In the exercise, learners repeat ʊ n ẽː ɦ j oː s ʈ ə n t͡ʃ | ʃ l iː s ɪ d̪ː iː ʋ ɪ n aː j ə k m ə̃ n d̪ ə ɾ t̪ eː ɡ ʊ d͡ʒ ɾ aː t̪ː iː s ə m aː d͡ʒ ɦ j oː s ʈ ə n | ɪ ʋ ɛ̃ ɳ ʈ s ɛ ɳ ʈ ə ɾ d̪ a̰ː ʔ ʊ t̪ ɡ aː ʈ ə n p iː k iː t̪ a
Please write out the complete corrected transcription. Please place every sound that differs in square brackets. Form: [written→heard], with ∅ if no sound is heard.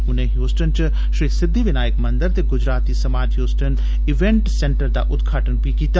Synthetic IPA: ʊ n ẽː ɦ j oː s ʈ ə n t͡ʃ | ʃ [l→ɾ] iː s ɪ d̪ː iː ʋ ɪ n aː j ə k m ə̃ n d̪ ə ɾ t̪ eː ɡ ʊ d͡ʒ ɾ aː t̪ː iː s ə m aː d͡ʒ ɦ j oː s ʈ ə n | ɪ ʋ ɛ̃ ɳ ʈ s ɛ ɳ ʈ ə ɾ d̪ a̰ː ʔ ʊ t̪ ɡ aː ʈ ə n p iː k iː t̪ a